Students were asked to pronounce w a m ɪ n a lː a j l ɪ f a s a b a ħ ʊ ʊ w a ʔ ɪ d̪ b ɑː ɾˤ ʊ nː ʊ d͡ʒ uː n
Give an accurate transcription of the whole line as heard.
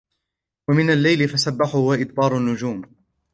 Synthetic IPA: w a m ɪ n a lː a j l ɪ f a s a bː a ħ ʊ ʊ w a ʔ ɪ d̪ b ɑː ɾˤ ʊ nː ʊ d͡ʒ uː m